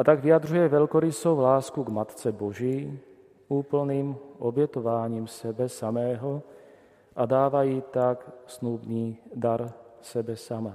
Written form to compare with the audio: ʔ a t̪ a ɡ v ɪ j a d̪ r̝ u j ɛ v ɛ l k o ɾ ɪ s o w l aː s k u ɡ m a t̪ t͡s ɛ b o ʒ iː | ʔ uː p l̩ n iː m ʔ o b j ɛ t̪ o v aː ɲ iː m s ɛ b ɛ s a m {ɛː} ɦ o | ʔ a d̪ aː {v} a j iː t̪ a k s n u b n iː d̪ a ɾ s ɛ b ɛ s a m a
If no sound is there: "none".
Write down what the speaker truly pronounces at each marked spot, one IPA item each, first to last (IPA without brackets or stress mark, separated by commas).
ɛː, v